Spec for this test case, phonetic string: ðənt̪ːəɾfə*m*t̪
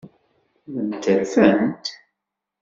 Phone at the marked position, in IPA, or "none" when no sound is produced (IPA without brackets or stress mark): n